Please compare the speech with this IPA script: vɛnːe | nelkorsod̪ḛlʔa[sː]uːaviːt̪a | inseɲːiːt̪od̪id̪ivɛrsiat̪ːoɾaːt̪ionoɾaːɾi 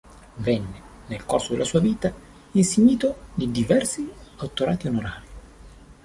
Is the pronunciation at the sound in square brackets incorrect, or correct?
incorrect